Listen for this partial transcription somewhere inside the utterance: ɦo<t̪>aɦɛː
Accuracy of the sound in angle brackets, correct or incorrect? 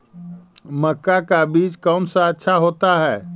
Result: correct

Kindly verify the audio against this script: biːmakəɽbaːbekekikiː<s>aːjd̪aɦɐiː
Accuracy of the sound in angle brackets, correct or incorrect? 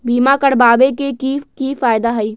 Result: incorrect: f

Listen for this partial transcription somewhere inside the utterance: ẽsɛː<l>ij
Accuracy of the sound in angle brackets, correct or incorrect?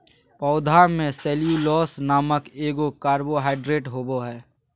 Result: correct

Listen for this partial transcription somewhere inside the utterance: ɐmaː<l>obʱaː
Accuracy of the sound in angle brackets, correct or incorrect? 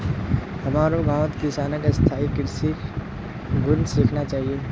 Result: incorrect: ɾ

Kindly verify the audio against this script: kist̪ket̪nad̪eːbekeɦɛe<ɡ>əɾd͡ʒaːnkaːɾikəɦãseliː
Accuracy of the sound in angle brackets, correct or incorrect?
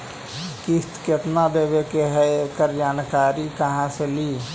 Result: incorrect: k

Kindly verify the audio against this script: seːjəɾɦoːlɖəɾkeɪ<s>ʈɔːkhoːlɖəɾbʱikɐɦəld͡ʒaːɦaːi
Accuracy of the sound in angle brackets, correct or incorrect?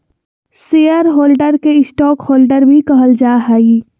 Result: correct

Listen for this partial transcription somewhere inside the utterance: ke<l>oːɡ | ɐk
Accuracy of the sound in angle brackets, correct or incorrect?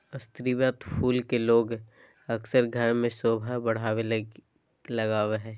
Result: correct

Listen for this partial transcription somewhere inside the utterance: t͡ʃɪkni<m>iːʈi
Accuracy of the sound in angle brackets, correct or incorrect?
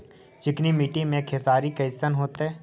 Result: correct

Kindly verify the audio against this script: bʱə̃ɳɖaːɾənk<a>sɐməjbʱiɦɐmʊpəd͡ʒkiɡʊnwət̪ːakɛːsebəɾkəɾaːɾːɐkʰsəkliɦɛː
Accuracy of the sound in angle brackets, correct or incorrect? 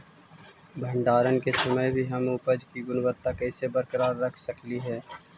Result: incorrect: e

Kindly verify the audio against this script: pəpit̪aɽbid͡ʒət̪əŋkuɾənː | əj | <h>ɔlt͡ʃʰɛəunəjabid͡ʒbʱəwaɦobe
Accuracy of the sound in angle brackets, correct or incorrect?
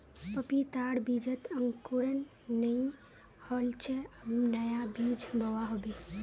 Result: correct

